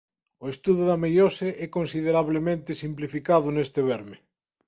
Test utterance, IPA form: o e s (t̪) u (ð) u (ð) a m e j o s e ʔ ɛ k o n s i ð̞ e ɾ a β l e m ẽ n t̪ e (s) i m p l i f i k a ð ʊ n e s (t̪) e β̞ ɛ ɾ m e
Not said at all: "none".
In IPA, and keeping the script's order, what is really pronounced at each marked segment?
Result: t̪, ð, ð, s, t̪

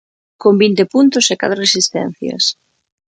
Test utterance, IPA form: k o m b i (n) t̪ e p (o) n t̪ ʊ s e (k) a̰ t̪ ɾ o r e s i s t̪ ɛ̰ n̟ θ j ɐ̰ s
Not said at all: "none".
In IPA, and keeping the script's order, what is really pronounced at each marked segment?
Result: n, u, k

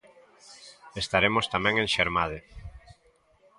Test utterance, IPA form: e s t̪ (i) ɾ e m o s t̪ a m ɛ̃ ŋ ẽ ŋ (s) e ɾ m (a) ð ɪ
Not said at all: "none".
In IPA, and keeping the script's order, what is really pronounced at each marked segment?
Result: a, ʃ, a

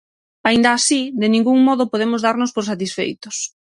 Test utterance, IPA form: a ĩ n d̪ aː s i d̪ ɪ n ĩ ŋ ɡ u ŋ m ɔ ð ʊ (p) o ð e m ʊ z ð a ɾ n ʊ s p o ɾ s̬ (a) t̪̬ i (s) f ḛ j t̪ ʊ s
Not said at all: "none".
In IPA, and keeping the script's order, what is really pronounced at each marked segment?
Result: p, a, s

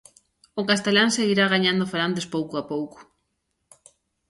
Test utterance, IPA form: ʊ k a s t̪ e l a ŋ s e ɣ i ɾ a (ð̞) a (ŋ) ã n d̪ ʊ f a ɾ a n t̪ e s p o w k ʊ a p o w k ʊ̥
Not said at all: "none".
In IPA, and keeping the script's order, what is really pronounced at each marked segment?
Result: ɣ̞, ɲ

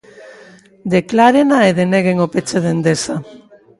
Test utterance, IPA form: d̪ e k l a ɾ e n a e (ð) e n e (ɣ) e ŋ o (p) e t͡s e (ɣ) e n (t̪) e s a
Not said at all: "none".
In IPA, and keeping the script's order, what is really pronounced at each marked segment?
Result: ð, ɣ, p, ð, d̪

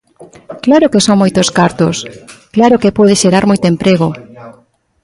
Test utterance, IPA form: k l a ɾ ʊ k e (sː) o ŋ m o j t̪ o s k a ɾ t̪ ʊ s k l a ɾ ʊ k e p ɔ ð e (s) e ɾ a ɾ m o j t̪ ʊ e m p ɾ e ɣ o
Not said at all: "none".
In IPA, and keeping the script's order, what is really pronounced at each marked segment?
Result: s, ʃ

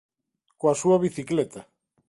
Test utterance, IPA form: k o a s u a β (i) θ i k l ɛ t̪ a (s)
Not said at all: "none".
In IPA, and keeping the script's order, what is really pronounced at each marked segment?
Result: i, none

